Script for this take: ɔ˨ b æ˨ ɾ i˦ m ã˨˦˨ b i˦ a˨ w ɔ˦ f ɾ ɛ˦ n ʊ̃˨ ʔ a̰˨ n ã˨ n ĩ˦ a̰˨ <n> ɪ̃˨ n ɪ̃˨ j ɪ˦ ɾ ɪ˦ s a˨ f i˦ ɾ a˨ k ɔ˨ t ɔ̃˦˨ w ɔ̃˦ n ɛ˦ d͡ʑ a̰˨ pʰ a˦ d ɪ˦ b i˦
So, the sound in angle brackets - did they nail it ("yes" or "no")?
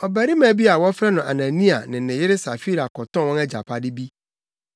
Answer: yes